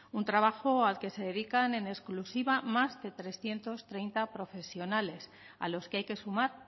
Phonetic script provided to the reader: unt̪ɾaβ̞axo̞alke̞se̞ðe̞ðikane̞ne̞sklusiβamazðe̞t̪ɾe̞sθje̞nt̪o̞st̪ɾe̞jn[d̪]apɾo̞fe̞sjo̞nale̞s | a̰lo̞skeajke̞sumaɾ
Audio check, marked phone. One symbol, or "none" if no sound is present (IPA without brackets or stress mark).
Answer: t̪